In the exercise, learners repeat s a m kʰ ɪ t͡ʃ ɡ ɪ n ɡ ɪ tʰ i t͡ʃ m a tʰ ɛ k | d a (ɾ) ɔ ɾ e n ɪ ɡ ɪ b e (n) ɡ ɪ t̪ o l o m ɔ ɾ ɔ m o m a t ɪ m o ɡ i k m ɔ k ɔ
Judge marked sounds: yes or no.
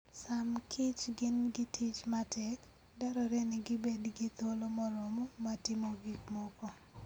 yes, no

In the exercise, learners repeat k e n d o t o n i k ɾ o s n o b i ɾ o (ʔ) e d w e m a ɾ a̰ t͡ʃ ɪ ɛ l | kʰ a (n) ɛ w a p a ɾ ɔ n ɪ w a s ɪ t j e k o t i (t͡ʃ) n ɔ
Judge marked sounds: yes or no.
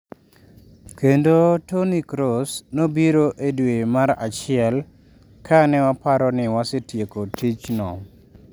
yes, yes, yes

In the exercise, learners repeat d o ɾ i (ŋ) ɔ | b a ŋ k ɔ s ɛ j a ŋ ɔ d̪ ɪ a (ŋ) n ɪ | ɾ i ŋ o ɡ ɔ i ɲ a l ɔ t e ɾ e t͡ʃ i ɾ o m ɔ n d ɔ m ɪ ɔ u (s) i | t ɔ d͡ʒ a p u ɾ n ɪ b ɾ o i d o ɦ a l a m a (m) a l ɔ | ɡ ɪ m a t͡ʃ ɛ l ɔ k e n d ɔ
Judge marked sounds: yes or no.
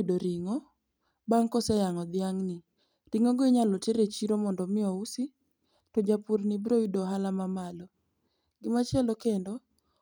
yes, yes, yes, yes

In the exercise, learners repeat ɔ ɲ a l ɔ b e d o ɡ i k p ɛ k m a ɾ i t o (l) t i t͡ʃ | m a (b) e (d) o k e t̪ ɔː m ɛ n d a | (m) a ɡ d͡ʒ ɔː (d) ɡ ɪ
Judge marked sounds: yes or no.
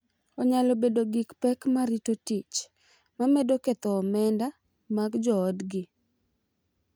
no, no, yes, yes, yes

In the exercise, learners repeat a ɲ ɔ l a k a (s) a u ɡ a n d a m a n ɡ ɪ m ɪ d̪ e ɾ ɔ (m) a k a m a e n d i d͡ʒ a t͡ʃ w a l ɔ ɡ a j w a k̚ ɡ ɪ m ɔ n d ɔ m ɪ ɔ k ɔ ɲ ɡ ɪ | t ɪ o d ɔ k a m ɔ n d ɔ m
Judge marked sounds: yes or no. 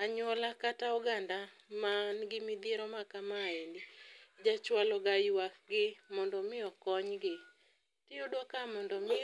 no, yes

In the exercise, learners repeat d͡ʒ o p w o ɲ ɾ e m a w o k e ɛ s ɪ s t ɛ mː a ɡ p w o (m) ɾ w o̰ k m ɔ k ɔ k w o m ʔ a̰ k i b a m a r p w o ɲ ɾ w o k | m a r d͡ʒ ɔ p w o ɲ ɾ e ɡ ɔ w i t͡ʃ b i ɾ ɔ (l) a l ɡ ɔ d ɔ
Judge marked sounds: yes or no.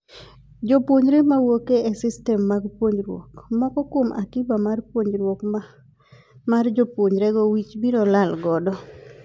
no, yes

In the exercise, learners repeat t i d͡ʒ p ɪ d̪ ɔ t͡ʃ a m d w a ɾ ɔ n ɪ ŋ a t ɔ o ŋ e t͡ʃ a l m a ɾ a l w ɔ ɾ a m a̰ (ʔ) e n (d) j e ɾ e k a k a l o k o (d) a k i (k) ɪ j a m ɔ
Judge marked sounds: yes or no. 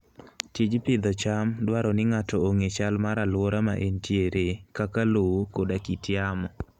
yes, no, yes, no

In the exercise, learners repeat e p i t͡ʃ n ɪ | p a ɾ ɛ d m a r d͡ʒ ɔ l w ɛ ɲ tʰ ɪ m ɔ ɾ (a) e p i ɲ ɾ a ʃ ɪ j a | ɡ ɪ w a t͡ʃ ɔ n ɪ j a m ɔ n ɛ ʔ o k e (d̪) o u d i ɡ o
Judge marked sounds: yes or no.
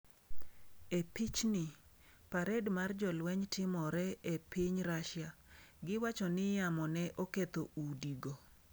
no, no

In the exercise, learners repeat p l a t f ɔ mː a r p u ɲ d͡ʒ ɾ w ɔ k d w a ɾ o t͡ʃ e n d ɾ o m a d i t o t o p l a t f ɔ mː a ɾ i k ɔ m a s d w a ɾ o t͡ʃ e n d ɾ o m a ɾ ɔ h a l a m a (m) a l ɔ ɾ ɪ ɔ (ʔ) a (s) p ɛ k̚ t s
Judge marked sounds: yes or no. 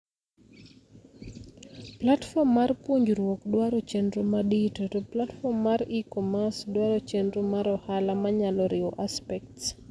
no, yes, yes

